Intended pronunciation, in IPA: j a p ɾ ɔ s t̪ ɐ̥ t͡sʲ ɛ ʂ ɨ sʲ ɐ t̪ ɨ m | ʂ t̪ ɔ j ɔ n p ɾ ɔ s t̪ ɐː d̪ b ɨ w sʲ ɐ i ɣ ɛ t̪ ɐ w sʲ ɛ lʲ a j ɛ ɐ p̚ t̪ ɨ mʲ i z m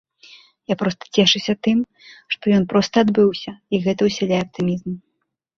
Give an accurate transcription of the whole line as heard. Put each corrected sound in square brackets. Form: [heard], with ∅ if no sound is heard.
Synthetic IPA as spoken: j a p ɾ ɔ s t̪ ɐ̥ t͡sʲ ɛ ʂ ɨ sʲ ɐ t̪ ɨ m | ʂ t̪ ɔ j ɔ n p ɾ ɔ s t̪ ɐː d̪ b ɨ w sʲ ɐ i ɣ ɛ t̪ ɐ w sʲ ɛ lʲ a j ɛ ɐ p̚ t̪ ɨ mʲ i z m